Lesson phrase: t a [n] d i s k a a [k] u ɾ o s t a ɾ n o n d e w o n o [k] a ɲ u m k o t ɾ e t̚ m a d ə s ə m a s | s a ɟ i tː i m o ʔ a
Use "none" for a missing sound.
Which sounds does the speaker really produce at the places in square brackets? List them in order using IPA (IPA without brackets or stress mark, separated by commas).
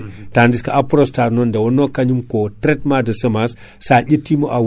n, p, k